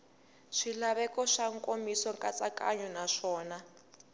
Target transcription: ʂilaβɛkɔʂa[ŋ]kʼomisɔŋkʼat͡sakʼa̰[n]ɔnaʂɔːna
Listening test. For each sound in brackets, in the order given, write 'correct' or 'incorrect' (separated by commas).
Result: correct, incorrect